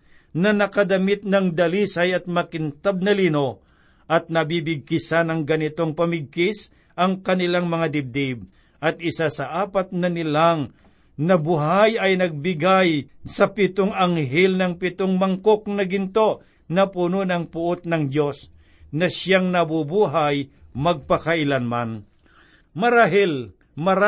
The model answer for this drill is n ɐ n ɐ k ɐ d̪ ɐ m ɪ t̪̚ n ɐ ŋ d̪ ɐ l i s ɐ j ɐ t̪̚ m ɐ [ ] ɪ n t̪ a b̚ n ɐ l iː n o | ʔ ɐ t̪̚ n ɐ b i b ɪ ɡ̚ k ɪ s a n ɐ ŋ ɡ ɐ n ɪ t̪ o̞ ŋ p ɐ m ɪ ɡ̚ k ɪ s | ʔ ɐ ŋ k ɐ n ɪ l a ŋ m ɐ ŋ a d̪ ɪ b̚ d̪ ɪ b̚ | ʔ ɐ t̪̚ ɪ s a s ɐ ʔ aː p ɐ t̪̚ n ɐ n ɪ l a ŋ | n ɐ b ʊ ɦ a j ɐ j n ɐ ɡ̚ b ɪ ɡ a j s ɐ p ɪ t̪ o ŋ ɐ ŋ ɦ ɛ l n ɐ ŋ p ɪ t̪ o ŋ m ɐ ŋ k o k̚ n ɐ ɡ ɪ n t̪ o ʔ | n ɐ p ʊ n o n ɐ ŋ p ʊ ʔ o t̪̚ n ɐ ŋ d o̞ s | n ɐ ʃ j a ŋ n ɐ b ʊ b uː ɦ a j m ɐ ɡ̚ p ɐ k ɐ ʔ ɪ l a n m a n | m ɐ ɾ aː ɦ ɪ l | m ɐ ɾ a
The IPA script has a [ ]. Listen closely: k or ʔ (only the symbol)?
k